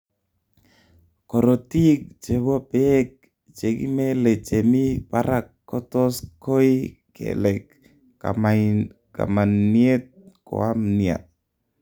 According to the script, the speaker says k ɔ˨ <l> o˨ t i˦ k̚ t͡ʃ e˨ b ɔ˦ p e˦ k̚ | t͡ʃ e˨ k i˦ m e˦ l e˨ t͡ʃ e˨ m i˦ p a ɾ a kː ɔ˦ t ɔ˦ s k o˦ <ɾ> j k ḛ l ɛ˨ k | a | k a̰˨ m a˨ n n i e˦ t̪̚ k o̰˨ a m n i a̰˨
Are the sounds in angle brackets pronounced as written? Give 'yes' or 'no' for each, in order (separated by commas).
no, no